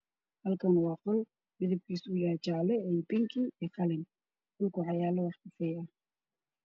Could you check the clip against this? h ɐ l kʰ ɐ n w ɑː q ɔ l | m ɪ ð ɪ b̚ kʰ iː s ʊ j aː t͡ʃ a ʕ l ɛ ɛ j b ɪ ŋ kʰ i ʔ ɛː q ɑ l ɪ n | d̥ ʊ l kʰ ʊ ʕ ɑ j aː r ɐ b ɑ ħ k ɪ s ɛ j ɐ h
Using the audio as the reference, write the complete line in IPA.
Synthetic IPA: h ɐ l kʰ ɐ n w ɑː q ɔ l | m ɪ ð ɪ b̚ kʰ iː s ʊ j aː t͡ʃ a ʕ l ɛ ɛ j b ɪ ŋ kʰ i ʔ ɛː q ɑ l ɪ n | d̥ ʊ l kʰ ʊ ʕ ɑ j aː l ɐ w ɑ ħ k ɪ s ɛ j ɐ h